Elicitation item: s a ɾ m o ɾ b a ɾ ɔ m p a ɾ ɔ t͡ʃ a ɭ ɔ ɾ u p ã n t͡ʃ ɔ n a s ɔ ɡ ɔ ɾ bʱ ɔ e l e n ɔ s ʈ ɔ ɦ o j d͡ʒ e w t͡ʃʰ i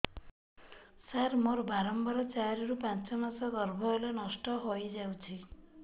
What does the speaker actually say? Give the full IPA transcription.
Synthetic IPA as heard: s a ɾ m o ɾ b a ɾ ɔ m b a ɾ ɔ t͡ʃ a ɾ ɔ ɾ u p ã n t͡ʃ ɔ m a s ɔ ɡ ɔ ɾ bʱ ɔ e l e n ɔ s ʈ ɔ ɦ o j d͡ʒ a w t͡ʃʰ i